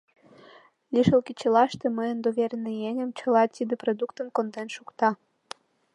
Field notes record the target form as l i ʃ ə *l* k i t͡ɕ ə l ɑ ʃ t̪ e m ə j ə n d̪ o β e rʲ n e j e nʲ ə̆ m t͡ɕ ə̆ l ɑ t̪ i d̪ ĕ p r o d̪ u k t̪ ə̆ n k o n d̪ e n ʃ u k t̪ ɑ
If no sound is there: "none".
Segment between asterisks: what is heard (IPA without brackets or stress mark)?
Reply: l